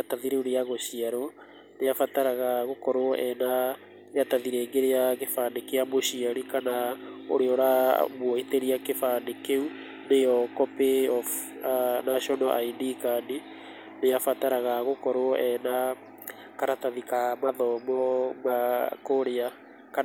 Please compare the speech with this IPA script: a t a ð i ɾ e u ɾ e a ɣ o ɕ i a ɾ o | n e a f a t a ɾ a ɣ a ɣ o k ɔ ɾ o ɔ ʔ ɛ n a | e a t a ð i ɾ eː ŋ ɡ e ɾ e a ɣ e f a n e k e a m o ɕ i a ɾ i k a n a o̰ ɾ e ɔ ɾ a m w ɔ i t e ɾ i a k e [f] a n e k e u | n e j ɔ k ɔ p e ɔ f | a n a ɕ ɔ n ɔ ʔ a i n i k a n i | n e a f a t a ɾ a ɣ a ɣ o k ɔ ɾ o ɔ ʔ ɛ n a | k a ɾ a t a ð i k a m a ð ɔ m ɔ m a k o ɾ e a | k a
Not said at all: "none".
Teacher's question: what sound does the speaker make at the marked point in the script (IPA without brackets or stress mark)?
f